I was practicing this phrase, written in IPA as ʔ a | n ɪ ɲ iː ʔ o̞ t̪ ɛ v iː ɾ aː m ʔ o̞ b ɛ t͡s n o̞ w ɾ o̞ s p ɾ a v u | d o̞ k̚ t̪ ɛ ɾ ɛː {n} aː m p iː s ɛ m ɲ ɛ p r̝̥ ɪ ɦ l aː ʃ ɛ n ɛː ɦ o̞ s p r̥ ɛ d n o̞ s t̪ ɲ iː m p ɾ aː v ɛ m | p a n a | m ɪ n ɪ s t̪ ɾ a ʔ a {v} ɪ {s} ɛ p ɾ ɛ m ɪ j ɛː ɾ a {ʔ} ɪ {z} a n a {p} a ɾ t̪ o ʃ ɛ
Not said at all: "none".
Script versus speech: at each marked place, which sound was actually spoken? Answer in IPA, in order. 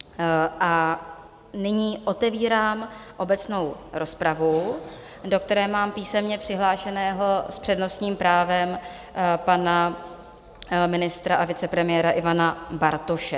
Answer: m, v, t͡s, ʔ, v, b

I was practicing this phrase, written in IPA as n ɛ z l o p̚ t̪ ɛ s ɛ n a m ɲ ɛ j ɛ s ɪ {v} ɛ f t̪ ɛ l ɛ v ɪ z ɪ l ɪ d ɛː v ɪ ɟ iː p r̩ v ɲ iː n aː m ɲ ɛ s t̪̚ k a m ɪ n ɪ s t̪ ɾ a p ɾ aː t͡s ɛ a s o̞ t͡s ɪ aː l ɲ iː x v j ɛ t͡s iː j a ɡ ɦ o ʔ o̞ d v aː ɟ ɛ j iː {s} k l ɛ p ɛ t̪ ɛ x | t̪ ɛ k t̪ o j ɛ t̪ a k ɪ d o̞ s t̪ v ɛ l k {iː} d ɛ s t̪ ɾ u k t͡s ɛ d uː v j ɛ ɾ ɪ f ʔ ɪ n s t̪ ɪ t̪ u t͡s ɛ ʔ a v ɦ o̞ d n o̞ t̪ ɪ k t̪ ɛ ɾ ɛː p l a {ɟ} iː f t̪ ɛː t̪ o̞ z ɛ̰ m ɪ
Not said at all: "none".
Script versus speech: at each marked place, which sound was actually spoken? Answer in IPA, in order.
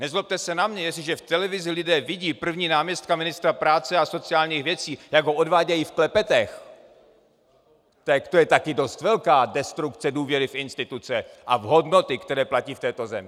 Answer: ʒ, f, aː, c

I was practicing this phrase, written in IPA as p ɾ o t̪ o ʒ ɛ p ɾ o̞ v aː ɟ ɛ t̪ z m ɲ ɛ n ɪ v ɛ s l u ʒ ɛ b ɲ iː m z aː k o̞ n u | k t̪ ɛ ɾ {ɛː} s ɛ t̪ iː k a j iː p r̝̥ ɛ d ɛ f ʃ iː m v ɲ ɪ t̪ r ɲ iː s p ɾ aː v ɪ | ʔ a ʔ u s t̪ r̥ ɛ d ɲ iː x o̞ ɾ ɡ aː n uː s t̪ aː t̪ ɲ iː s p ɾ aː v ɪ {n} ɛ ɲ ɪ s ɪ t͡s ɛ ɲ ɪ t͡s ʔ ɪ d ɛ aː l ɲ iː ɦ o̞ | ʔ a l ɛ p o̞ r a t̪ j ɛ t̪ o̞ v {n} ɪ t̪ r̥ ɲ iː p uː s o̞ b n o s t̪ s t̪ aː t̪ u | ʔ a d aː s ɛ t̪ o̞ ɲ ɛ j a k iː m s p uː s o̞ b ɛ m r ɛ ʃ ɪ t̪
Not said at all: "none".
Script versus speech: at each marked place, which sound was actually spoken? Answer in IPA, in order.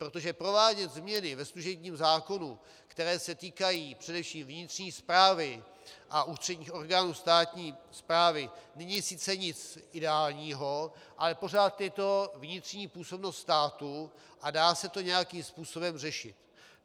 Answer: ɛː, n, ɲ

